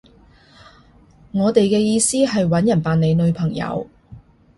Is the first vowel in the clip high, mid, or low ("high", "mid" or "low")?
mid